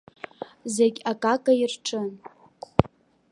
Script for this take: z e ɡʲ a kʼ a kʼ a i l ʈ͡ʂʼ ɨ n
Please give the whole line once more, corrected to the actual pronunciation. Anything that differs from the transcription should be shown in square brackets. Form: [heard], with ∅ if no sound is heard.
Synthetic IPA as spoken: z e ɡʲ a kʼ a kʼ a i [r] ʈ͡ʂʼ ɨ n